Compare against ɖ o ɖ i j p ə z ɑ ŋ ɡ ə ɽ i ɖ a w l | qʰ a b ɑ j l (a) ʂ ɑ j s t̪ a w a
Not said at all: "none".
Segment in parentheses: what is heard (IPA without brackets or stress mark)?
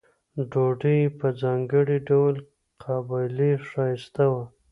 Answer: i